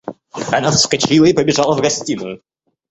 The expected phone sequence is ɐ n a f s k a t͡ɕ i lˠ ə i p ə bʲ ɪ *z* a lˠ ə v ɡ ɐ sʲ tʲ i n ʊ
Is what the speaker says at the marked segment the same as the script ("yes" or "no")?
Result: no